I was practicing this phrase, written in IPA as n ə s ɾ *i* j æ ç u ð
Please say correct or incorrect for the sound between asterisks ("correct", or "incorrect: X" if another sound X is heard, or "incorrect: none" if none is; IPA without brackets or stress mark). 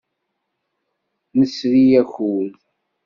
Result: correct